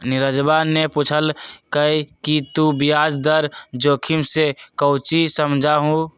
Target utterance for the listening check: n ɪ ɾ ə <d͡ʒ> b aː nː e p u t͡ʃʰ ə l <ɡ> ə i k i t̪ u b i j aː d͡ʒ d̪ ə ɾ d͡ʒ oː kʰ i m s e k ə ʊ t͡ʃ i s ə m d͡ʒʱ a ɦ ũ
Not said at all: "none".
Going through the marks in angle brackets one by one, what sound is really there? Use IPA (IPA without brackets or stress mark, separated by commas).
d͡ʒ, k